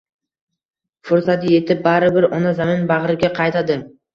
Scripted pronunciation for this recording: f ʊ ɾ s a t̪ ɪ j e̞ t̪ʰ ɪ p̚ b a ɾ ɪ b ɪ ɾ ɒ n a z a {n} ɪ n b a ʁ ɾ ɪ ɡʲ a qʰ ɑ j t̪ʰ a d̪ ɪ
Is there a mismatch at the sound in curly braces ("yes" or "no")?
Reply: yes